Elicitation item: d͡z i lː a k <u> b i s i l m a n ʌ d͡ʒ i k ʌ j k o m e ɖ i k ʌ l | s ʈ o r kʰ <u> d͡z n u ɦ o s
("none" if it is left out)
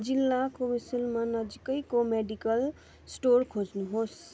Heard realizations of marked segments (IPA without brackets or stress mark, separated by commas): o, o